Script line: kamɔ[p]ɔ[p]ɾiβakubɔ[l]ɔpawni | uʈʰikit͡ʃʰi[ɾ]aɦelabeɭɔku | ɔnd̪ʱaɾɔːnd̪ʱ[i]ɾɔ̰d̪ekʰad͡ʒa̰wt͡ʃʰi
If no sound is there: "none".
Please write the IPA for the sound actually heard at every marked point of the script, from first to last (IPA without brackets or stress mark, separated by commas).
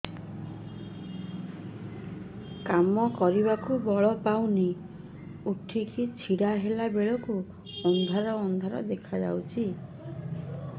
k, none, ɭ, ɽ, a